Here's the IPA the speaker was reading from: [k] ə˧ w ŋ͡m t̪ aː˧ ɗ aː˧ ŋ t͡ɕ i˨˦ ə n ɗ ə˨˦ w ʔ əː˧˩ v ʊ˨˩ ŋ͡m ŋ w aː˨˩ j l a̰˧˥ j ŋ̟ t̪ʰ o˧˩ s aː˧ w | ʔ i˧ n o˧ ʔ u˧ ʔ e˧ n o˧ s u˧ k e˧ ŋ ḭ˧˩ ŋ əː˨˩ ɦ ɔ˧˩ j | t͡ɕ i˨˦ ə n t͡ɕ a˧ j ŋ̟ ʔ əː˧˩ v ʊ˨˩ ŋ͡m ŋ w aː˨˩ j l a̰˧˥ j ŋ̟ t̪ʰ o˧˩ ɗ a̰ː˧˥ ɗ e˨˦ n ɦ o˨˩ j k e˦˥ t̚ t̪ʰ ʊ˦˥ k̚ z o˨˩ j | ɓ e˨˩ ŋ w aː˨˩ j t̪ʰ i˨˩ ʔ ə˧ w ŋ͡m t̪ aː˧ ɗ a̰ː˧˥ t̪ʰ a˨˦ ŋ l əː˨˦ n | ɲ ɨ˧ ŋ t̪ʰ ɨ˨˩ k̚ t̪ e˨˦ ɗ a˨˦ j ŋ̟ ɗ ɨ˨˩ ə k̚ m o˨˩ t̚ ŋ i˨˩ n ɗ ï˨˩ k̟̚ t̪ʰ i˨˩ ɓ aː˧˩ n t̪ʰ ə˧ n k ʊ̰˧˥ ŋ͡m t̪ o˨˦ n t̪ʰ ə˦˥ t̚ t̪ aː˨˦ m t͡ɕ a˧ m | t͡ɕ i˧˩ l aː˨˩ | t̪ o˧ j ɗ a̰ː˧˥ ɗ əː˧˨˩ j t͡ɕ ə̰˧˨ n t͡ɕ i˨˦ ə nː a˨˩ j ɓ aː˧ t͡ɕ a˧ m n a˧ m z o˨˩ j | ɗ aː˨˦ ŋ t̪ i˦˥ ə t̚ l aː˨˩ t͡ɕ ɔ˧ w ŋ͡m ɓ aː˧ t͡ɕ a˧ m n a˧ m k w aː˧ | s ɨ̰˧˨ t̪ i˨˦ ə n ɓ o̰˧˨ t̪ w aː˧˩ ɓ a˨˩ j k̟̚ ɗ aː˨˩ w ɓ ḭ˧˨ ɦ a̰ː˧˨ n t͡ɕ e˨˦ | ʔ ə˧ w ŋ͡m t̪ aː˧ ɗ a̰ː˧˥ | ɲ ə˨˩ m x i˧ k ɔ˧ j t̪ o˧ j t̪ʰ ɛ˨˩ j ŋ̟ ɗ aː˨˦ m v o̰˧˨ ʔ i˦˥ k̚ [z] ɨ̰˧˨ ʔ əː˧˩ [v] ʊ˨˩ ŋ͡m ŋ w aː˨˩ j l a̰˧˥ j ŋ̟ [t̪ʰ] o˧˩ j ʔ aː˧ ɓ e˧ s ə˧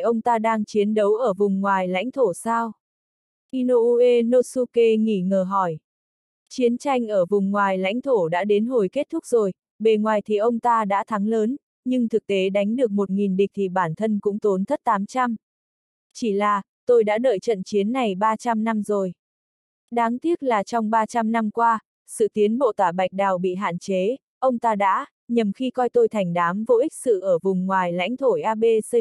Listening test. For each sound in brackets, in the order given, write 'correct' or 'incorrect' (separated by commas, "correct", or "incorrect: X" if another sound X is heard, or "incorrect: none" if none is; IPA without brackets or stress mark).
incorrect: ʔ, incorrect: s, correct, correct